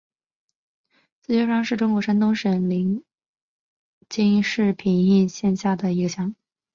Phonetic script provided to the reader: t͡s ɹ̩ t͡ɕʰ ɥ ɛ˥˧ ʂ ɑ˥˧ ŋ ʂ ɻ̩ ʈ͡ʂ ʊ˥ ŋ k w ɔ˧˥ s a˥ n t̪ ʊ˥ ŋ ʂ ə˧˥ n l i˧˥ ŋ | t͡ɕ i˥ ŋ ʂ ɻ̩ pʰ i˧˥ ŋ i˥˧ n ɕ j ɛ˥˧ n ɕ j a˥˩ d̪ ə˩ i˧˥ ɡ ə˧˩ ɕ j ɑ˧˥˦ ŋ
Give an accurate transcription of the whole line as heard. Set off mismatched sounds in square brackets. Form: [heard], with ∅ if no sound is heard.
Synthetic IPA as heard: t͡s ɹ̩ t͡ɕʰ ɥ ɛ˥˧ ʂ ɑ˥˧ ŋ ʂ ɻ̩ ʈ͡ʂ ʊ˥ ŋ k w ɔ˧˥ [ʂ] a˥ n t̪ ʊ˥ ŋ ʂ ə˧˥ n l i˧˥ ŋ | t͡ɕ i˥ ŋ ʂ ɻ̩ pʰ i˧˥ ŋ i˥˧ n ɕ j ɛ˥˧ n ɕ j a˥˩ d̪ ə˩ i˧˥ ɡ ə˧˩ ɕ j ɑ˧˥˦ ŋ